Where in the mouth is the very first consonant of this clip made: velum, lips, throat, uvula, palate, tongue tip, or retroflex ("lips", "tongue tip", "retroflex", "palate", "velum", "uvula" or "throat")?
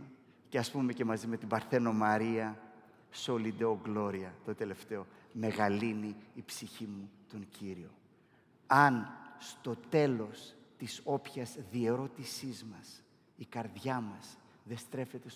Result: palate